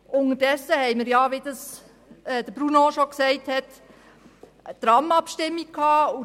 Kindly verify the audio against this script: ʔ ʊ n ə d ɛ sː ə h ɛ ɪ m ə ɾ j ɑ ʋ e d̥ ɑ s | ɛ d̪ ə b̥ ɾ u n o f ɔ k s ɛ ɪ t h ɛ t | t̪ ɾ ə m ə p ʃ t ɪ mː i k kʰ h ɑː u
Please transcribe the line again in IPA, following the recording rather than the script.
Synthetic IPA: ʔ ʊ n ə d ɛ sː ə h ɛ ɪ m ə ɾ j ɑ ʋ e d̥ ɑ s | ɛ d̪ ə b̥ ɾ u n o ʃ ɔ k s ɛ ɪ t h ɛ t | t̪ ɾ ɑ m ɑ p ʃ t ɪ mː i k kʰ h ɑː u